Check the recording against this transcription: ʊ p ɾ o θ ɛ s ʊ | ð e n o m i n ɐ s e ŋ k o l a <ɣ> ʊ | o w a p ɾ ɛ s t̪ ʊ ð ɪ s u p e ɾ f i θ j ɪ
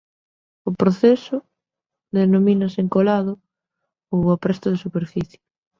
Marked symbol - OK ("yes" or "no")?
no